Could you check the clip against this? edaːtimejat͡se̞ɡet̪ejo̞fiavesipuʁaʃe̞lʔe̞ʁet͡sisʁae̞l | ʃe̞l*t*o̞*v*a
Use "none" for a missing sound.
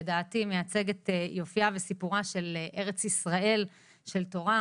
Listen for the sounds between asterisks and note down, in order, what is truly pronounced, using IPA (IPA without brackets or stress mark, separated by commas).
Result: t, ʁ